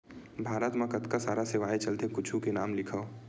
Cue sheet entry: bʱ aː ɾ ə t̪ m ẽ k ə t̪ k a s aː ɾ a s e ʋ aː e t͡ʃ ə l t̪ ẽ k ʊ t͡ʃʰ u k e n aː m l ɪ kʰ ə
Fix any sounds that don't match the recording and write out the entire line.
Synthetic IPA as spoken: bʱ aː ɾ ə t̪ m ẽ k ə t̪ k a s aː ɾ a s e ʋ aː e t͡ʃ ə l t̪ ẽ k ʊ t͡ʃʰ u k e n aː m l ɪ kʰ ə